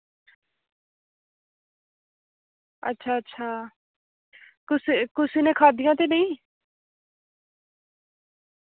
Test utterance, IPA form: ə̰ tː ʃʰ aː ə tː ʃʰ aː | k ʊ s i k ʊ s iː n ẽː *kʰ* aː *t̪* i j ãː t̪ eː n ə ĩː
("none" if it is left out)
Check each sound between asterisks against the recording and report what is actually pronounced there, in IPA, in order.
kʰ, d̪

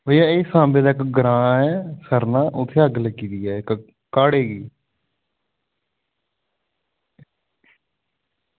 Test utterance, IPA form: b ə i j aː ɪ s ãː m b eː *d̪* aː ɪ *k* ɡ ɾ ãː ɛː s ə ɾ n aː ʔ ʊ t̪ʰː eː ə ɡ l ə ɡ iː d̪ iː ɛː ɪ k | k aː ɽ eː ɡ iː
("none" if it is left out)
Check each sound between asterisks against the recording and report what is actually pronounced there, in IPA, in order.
d̪, k

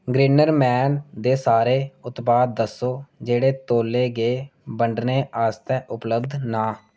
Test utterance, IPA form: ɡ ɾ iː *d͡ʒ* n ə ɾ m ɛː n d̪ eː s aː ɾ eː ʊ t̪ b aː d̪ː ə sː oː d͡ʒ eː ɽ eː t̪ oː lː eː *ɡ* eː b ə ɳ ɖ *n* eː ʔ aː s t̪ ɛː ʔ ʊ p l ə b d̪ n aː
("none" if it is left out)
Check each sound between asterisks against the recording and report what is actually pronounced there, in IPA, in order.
none, ɡ, n

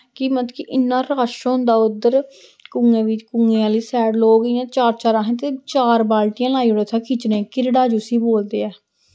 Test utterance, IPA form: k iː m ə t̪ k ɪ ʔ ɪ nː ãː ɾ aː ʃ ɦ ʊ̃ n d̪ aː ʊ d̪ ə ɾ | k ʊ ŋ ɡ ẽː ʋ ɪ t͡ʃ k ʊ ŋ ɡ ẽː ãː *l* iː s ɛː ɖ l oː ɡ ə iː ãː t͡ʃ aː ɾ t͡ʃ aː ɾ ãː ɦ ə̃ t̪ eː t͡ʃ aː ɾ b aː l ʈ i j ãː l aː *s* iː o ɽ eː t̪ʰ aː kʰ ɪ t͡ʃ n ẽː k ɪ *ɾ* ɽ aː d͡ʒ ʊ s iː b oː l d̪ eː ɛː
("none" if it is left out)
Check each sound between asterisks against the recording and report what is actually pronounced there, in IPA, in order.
l, none, ɾ

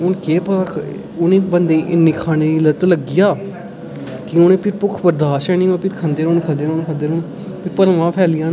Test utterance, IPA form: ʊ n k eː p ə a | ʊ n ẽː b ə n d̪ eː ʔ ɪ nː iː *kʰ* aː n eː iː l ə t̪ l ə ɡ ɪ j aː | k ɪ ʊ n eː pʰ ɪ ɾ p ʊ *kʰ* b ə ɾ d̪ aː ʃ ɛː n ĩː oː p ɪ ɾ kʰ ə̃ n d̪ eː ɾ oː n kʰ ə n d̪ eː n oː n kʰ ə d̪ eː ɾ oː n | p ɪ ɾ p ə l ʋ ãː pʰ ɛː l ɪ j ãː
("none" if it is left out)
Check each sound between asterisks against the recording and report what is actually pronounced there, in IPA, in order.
kʰ, kʰ

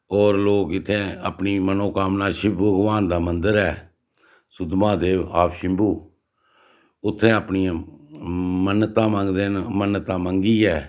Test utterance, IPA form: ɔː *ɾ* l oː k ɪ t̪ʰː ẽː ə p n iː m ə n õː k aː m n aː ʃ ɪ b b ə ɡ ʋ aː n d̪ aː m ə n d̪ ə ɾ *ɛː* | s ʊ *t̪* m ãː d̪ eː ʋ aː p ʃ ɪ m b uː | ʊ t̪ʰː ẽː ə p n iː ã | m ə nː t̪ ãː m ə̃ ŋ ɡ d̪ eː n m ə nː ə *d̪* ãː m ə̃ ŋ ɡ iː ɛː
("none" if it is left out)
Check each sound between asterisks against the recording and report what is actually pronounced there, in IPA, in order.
ɾ, ɛː, d̪, t̪

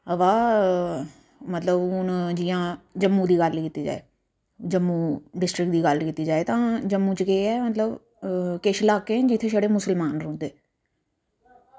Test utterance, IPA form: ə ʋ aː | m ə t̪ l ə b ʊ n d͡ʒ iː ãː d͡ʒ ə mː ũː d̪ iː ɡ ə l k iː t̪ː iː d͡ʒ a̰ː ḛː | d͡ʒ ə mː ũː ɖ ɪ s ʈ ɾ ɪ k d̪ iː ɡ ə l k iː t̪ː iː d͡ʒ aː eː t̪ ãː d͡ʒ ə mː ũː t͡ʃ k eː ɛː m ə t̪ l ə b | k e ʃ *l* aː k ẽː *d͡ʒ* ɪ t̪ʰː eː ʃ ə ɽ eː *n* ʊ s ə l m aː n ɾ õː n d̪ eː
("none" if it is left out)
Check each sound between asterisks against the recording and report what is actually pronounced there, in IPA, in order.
l, d͡ʒ, m

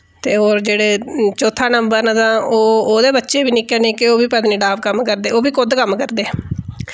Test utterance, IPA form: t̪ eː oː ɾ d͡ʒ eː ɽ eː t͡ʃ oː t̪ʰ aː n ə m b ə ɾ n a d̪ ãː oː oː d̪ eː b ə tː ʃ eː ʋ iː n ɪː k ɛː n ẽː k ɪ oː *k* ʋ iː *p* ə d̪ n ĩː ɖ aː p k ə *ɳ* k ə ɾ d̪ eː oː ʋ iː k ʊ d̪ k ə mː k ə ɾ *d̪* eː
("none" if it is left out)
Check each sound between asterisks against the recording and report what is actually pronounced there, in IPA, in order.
none, p, m, d̪

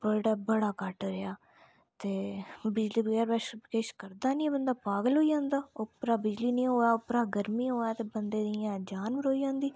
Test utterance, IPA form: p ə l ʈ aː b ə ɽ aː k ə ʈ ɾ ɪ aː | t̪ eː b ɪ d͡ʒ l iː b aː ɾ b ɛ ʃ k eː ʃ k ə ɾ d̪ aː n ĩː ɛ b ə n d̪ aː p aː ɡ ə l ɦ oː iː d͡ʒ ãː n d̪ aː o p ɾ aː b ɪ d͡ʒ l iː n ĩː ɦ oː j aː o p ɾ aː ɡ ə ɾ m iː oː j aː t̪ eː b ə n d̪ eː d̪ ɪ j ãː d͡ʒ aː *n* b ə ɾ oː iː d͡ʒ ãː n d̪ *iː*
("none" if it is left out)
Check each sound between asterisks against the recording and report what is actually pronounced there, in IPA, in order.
n, iː

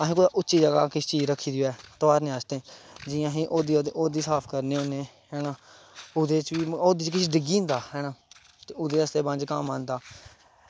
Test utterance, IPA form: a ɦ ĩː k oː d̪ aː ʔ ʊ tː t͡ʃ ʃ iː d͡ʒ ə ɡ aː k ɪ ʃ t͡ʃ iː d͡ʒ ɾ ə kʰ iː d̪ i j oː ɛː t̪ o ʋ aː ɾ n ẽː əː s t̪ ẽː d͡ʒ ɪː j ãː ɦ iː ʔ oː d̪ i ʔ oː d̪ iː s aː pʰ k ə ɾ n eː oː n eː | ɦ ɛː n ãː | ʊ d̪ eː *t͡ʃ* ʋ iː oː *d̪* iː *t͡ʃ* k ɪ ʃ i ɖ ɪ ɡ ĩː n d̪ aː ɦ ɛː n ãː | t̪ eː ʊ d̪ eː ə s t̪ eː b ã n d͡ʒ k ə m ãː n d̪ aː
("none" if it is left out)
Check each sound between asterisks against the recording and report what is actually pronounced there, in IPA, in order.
t͡ʃ, d̪, t͡ʃ

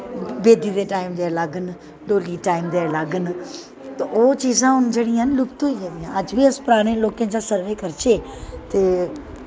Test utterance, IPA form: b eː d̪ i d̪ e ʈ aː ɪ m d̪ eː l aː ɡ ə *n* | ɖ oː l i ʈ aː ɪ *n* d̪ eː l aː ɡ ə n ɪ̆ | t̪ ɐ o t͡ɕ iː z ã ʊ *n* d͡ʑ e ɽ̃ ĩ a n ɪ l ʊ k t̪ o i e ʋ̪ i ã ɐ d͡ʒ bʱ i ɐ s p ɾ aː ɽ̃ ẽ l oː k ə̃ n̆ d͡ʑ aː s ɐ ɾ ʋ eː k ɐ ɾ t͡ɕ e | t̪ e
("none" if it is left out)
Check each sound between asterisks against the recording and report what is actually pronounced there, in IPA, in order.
n, m, n

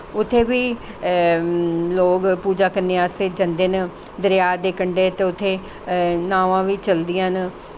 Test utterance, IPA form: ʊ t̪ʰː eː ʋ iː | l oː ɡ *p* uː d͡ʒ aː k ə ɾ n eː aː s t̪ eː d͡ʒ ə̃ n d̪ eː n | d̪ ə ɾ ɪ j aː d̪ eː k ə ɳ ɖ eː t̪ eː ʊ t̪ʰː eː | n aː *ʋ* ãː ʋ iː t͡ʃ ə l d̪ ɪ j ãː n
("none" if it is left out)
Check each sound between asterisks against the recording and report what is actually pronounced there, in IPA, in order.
p, ʋ

